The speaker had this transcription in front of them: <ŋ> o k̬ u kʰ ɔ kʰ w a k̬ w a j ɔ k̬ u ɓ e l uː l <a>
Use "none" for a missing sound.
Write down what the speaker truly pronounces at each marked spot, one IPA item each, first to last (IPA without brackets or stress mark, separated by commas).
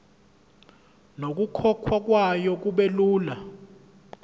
n, a